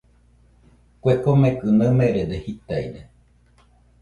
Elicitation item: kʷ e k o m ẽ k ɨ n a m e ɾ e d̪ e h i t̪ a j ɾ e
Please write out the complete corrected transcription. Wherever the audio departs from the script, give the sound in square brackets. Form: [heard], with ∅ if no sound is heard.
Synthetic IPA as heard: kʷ e k o m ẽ k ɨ n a m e ɾ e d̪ e h i t̪ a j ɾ e